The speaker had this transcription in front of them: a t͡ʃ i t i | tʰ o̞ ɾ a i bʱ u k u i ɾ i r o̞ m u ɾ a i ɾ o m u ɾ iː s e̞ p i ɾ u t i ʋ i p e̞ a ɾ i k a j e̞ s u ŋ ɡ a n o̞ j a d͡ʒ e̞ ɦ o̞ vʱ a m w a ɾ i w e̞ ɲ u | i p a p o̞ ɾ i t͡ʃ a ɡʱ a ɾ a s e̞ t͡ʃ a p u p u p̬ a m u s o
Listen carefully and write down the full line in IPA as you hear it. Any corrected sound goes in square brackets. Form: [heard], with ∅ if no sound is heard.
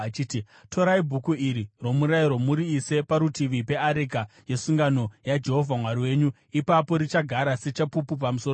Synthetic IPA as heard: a t͡ʃ i t i | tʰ o̞ ɾ a i bʱ u k u i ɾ i r o̞ m u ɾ a i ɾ o m u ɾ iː s e̞ p [a] ɾ u t i ʋ i p e̞ a ɾ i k a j e̞ s u ŋ ɡ a n o̞ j a d͡ʒ e̞ ɦ o̞ vʱ a m w a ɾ i w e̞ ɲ u | i p a p o̞ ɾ i t͡ʃ a ɡʱ a ɾ a s e̞ t͡ʃ a p u p u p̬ a m u s o

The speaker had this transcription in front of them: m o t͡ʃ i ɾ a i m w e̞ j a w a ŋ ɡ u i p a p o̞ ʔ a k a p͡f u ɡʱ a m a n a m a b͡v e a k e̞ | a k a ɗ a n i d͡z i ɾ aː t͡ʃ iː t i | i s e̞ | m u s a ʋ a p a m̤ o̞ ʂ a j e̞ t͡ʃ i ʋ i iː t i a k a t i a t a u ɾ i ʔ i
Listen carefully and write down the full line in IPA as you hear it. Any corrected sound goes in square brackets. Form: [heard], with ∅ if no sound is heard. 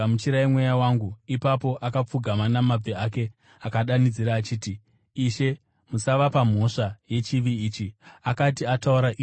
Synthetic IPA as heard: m [u] t͡ʃ i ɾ a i m w e̞ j a w a ŋ ɡ u i p a p o̞ ʔ a k a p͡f u ɡʱ a m a n a m a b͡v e a k e̞ | a k a ɗ a n i d͡z i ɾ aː t͡ʃ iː t i | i [ʃ] e̞ | m u s a ʋ a p a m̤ o̞ ʂ a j e̞ t͡ʃ i ʋ i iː [t͡ʃ] i a k a t i a t a u ɾ [a] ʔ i

